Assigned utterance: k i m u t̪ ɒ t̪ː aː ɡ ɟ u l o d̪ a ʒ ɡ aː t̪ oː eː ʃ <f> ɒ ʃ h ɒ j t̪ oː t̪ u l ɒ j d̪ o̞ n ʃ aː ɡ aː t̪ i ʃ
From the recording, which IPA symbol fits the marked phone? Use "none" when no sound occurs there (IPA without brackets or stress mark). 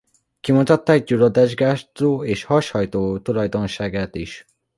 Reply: h